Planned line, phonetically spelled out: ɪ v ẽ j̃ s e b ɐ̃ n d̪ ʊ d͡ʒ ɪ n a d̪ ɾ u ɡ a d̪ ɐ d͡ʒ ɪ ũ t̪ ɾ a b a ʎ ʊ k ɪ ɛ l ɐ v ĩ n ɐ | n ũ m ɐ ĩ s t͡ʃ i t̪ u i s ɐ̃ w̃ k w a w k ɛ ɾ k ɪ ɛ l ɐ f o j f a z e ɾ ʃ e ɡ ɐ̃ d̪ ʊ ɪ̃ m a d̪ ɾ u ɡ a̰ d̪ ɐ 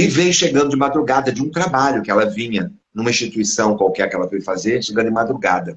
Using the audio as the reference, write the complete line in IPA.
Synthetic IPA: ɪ v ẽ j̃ ʃ e ɡ ɐ̃ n d̪ ʊ d͡ʒ ɪ m a d̪ ɾ u ɡ a d̪ ɐ d͡ʒ ɪ ũ t̪ ɾ a b a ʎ ʊ k ɪ ɛ l ɐ v ĩ ɲ ɐ | n ũ m ɐ ĩ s t͡ʃ i t̪ u i s ɐ̃ w̃ k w a w k ɛ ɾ k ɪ ɛ l ɐ f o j f a z e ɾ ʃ e ɡ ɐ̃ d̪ ʊ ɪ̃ m a d̪ ɾ u ɡ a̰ d̪ ɐ